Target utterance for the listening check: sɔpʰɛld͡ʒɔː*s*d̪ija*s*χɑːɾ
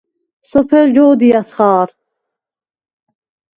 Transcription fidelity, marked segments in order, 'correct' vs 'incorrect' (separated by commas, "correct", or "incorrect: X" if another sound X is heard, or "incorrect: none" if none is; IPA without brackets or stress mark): incorrect: none, correct